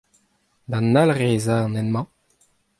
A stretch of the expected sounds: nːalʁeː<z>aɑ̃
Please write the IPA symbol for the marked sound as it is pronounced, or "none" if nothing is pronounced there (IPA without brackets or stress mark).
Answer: z